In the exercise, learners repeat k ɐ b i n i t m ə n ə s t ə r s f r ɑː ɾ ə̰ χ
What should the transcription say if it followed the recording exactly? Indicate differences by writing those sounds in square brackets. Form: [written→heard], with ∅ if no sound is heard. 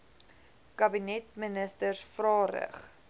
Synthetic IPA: k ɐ b i n [i→ɛ] t m ə n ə s t ə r s f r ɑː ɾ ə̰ χ